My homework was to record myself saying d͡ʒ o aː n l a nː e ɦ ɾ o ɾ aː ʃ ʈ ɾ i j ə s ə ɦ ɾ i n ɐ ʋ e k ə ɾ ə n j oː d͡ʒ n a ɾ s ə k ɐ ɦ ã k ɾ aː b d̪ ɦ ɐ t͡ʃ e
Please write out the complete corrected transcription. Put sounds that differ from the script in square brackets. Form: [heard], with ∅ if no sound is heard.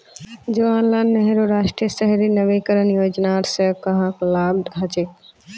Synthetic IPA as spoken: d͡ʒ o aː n l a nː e ɦ ɾ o ɾ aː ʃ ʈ ɾ i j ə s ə ɦ ɾ i n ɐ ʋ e k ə ɾ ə n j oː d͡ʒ n a ɾ s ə k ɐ ɦ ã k [l] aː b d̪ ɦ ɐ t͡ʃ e